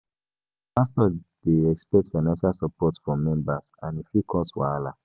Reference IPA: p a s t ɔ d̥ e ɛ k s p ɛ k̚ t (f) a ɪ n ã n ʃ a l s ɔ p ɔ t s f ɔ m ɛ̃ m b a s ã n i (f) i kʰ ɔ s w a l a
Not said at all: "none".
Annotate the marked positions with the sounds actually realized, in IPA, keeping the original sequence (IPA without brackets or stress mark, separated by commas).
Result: f, f